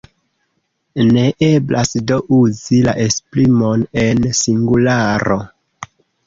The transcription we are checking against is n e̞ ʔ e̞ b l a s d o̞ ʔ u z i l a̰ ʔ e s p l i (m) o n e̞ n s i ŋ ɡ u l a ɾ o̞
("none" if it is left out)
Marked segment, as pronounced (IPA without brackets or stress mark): m